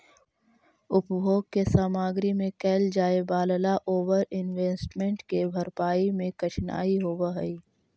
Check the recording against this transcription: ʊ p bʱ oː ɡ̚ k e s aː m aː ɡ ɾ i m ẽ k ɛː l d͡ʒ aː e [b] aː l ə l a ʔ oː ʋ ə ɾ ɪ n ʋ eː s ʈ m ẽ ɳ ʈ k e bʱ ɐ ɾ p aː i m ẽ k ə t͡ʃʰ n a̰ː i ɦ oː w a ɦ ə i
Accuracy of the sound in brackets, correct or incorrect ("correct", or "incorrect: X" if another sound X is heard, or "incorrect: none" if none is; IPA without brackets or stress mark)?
correct